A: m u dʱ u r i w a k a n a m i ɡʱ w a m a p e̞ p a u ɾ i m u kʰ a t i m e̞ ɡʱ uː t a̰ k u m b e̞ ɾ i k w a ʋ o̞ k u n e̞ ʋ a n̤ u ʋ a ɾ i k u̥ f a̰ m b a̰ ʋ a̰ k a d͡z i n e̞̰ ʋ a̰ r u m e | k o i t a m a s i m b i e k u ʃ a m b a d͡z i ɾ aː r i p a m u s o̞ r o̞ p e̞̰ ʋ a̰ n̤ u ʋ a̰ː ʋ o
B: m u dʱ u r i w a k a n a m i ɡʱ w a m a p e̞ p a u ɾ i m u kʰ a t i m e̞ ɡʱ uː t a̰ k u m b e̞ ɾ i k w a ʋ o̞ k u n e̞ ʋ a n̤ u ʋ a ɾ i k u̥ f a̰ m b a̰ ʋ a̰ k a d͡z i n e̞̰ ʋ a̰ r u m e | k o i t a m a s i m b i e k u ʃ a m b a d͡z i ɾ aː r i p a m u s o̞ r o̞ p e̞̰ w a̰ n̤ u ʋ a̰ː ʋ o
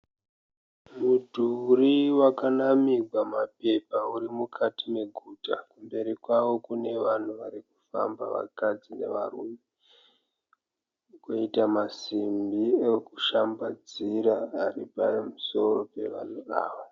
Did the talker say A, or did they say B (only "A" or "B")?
A